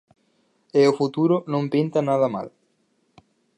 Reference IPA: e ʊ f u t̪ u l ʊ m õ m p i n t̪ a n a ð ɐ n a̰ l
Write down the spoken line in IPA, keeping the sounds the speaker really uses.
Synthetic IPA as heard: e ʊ f u t̪ u ɾ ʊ n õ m p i n t̪ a n a ð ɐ m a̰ l